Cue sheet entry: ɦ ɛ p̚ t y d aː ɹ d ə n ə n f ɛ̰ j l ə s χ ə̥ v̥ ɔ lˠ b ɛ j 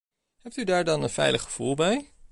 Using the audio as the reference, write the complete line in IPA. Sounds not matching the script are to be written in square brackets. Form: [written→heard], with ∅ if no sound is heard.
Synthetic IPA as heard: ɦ ɛ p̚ t y d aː ɹ d [ə→ɑ] n ə n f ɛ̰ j l ə [s→χ] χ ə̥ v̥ [ɔ→u] lˠ b ɛ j